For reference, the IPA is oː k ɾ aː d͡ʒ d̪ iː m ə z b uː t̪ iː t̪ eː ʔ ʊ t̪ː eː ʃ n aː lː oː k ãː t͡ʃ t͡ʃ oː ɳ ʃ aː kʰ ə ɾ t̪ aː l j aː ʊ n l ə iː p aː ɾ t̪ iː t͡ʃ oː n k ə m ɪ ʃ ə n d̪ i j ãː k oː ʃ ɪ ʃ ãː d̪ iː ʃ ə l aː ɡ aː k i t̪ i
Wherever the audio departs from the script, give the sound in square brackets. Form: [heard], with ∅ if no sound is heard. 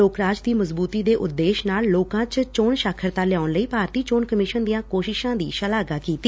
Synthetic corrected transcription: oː k ɾ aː d͡ʒ d̪ iː m ə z b uː t̪ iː [d̪] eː ʔ ʊ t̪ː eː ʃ n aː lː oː k ãː t͡ʃ t͡ʃ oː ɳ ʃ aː kʰ ə ɾ t̪ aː l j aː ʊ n l ə iː p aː ɾ t̪ iː t͡ʃ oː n k ə m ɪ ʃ ə n d̪ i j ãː k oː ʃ ɪ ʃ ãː d̪ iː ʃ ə l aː ɡ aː k [iː] t̪ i

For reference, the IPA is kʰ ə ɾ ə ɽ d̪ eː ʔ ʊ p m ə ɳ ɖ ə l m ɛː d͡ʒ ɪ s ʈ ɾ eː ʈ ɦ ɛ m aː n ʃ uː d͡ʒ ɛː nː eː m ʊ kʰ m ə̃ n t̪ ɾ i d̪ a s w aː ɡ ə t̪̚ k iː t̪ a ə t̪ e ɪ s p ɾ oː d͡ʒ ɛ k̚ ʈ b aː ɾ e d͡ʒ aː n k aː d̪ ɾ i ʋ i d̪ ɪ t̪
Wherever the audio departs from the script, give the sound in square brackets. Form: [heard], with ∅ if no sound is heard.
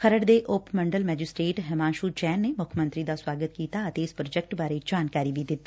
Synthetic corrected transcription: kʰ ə ɾ ə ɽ d̪ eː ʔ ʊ p m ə ɳ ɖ ə l m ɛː d͡ʒ ɪ s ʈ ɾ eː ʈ ɦ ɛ m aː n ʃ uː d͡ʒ ɛː nː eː m ʊ kʰ m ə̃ n t̪ ɾ i d̪ a s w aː ɡ ə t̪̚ k iː t̪ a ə t̪ e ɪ s p ɾ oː d͡ʒ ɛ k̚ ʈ b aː ɾ e d͡ʒ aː n k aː [∅] ɾ i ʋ i d̪ ɪ t̪

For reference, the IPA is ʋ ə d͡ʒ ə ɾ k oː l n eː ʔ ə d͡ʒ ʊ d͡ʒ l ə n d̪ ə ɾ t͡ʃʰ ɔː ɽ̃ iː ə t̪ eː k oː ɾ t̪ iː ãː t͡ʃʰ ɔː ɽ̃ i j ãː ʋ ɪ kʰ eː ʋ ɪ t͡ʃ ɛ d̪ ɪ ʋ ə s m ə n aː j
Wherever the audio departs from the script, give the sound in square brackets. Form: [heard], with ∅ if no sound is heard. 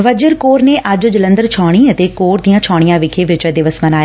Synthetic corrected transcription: ʋ ə d͡ʒ ə ɾ k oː [ɾ] n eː ʔ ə d͡ʒ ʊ d͡ʒ l ə n d̪ ə ɾ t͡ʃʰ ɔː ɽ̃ iː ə t̪ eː k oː ɾ [d̪] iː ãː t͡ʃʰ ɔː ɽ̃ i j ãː ʋ ɪ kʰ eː ʋ ɪ t͡ʃ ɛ d̪ ɪ ʋ ə s m ə n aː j

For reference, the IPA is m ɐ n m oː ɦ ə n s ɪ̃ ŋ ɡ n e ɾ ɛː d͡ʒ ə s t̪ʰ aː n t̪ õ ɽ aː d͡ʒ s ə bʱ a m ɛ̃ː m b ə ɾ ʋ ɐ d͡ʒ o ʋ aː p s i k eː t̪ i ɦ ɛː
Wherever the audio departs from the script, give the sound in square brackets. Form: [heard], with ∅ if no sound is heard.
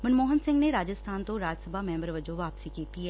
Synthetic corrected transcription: m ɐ n m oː ɦ ə n s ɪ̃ ŋ ɡ n e ɾ [aː] d͡ʒ ə s t̪ʰ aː n t̪ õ [ɾ] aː d͡ʒ s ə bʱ a m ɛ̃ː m b ə ɾ ʋ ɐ d͡ʒ o ʋ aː p s i k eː t̪ i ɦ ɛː

